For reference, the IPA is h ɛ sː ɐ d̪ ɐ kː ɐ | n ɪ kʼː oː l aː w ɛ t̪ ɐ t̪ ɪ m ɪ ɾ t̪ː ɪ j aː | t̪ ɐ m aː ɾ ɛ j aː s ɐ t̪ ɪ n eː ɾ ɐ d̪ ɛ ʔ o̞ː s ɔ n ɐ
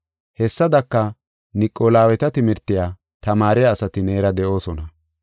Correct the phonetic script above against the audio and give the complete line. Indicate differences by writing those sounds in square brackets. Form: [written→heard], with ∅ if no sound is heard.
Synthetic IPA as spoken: h ɛ sː ɐ d̪ ɐ kː ɐ | n ɪ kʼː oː l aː w ɛ t̪ ɐ t̪ ɪ m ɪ ɾ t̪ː ɪ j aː | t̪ ɐ m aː ɾ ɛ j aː s ɐ t̪ ɪ n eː ɾ ɐ d̪ ɛ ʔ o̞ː s ɔ n ɐ